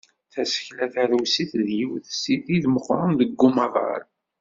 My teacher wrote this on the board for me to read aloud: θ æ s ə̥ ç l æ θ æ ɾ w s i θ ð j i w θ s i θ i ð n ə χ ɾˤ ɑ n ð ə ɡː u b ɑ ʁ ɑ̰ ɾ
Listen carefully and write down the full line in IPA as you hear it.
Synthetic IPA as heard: θ æ s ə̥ ç l æ θ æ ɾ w s i θ ð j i w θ s i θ i ð m ə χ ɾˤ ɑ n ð ə ɡː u m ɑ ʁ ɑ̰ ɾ